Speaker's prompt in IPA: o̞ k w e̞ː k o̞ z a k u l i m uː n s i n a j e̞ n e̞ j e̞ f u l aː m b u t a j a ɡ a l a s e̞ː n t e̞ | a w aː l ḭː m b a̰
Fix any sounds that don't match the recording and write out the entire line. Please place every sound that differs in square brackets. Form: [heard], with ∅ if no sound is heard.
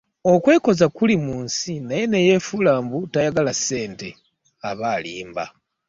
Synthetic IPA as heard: o̞ k w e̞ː k o̞ z a k u l i m uː n s i n a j e̞ n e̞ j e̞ f u l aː m b u t a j a ɡ a l a s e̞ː n t e̞ | a [β] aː l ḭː m b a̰